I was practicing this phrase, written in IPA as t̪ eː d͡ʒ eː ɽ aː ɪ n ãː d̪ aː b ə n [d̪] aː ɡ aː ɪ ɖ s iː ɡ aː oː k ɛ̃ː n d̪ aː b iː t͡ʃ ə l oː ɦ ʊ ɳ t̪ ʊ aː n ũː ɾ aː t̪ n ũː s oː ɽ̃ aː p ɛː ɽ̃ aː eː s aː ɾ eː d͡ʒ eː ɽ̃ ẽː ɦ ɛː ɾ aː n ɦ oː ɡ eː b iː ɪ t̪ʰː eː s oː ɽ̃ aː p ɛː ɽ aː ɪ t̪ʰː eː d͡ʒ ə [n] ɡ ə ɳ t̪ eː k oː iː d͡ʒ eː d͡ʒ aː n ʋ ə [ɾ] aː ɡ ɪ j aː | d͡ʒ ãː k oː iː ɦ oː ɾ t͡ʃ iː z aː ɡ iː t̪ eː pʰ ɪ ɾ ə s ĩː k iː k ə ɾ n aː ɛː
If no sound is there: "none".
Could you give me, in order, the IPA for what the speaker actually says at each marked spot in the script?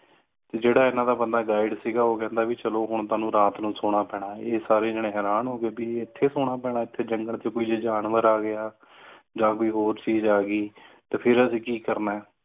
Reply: d̪, ŋ, ɾ

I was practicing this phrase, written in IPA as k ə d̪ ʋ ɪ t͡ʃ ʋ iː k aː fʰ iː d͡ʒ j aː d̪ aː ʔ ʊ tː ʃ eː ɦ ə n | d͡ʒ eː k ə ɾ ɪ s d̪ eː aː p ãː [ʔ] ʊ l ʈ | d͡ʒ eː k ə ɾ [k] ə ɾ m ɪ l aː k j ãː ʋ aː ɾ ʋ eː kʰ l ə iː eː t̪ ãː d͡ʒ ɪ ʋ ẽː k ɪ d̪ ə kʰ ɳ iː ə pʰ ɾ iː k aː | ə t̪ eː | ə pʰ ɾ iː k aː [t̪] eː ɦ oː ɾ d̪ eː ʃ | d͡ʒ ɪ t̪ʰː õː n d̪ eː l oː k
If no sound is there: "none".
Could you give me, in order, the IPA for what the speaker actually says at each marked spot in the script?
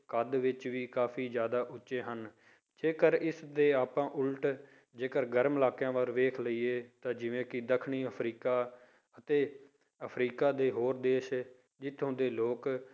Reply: ʔ, ɡ, d̪

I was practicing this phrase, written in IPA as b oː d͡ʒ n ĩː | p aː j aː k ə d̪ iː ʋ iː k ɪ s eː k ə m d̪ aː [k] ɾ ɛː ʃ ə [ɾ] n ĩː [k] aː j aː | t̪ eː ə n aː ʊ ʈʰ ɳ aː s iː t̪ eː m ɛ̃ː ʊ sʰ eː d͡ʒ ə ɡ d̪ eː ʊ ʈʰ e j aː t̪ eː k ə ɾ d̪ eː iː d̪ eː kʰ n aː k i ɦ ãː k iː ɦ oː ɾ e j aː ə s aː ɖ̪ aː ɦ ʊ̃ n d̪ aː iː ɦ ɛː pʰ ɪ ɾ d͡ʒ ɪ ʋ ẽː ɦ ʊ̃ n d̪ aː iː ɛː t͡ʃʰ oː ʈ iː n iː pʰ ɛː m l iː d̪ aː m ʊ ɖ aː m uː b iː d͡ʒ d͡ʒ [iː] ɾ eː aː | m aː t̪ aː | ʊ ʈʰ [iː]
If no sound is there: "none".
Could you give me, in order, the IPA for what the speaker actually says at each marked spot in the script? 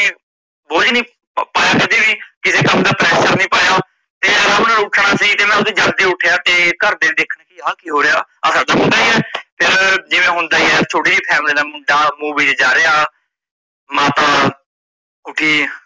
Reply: p, ɾ, p, aː, iː

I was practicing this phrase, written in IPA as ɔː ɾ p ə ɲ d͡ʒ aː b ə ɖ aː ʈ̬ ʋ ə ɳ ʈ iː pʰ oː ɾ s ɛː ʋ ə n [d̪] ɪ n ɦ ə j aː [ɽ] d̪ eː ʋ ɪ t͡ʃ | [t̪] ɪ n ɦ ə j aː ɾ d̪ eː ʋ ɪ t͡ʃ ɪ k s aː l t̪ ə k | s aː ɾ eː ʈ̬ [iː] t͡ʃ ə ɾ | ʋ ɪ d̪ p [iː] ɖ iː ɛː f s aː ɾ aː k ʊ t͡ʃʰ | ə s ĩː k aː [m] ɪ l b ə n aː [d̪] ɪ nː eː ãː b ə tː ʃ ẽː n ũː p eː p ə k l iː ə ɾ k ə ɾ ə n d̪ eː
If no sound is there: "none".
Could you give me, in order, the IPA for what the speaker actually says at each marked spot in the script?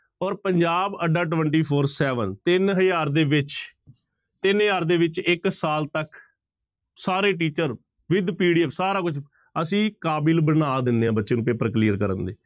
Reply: t̪, ɾ, t̪, iː, iː, b, d̪

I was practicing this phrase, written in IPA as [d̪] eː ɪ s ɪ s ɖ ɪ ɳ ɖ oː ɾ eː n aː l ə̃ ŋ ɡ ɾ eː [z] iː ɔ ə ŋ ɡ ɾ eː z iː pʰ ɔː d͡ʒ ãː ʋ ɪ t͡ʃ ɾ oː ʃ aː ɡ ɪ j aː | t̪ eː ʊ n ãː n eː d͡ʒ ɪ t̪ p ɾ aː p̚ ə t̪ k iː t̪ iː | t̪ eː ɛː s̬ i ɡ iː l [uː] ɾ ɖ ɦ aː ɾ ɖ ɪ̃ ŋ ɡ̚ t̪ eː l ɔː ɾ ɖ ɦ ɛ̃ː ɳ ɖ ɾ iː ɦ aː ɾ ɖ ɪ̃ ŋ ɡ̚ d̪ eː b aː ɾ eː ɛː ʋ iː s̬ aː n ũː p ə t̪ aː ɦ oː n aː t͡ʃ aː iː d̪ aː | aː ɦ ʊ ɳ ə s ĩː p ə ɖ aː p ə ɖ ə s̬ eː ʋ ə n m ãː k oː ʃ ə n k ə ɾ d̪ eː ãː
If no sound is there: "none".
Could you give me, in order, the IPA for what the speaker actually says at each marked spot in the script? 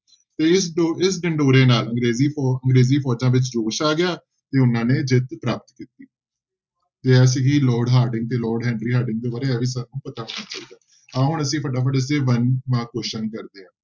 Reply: t̪, z, ɔː

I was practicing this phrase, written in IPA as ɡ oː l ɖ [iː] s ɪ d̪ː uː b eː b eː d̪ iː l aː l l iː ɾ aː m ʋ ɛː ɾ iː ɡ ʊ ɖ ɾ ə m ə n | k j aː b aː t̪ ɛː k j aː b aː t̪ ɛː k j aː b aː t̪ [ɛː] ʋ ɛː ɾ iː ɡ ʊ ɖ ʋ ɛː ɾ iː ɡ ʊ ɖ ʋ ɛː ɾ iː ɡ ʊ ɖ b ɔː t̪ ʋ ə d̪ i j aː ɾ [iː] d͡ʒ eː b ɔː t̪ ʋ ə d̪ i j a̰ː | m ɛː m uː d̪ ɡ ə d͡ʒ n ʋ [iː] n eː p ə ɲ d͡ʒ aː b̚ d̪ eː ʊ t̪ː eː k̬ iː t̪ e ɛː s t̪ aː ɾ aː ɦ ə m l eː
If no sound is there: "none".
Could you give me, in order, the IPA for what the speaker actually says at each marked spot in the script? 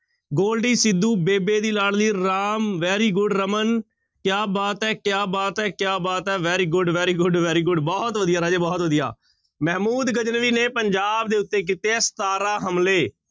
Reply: iː, ɛː, aː, iː

